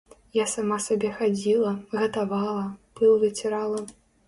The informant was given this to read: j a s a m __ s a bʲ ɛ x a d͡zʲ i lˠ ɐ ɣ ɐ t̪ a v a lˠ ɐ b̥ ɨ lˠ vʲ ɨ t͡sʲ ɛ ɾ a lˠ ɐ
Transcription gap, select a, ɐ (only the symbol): a